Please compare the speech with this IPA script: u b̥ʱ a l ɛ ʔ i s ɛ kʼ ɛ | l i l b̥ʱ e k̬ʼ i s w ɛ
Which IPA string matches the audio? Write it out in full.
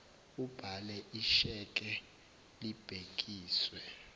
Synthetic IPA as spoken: u b̥ʱ a l ɛ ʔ i ʃ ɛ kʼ ɛ | l i b̥ʱ e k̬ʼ iː s w ɛ